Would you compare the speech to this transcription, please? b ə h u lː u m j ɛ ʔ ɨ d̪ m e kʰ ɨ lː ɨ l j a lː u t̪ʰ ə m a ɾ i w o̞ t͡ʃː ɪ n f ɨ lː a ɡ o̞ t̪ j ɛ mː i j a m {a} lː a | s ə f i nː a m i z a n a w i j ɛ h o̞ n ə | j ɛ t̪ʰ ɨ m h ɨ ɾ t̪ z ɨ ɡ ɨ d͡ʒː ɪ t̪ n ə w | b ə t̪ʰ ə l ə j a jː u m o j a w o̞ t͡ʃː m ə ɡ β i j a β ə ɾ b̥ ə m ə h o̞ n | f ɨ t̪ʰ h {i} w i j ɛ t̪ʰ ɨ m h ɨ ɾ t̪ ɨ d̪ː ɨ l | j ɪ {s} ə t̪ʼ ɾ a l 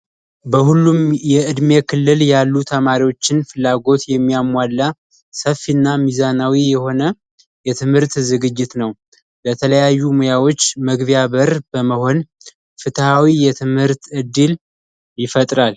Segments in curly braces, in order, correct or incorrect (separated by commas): correct, incorrect, incorrect